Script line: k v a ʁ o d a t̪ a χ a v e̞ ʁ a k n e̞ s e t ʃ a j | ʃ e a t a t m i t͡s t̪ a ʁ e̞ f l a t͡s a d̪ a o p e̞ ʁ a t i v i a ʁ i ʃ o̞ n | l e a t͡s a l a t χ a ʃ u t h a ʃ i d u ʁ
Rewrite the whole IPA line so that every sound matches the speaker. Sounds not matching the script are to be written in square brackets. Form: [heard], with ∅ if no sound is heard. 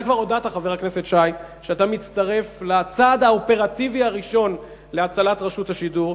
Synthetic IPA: k v a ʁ o d a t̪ a χ a v e̞ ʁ a k n e̞ s e t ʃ a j | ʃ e a t a [∅] m i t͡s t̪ a ʁ e̞ f l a t͡s a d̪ a o p e̞ ʁ a t i v i a ʁ i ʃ o̞ n | l e a t͡s a l a t [ʁ] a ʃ u t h a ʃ i d u ʁ